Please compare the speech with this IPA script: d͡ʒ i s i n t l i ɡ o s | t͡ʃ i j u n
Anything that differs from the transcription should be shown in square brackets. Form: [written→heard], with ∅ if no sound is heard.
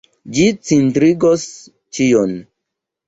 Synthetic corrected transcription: d͡ʒ i [s→t͡s] i n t [l→ɾ] i ɡ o s | t͡ʃ i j [u→o] n